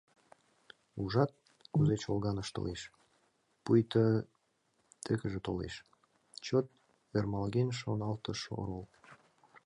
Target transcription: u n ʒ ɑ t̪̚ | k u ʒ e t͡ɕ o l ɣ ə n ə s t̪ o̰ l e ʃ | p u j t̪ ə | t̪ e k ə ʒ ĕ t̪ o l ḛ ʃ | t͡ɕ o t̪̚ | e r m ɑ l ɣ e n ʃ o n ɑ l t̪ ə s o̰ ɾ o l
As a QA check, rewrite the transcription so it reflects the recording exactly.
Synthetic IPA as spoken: u ʒ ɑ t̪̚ | k u z e t͡ɕ o l ɣ ɑ n ə ʃ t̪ o̰ l e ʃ | p u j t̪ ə | t̪ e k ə ʒ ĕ t̪ o l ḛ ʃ | t͡ɕ o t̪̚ | e r m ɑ l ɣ e n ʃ o n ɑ l t̪ ə ʃ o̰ ɾ o l